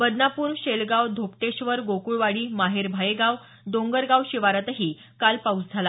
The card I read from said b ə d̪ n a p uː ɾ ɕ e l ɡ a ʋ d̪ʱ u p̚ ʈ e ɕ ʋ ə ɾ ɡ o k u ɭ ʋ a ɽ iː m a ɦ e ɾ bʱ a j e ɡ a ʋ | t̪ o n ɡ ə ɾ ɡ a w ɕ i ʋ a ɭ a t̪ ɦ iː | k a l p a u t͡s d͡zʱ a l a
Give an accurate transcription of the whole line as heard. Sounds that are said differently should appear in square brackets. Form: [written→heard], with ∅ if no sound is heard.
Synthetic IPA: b ə d̪ n a p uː ɾ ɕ e l ɡ a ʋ d̪ʱ [u→o] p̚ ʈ e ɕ ʋ ə ɾ ɡ o k u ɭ ʋ a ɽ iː m a ɦ e ɾ bʱ a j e ɡ a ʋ | [t̪→d̪] o [n→ŋ] ɡ ə ɾ ɡ a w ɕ i ʋ a [ɭ→ɾ] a t̪ ɦ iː | k a l p a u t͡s d͡zʱ a l a